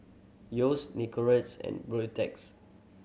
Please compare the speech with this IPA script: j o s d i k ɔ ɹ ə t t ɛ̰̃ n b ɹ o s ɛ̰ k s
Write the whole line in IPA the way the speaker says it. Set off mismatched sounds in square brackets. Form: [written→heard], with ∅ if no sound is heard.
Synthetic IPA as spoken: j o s [d→n] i k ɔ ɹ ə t [t→s] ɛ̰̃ n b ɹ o [s→t] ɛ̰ k s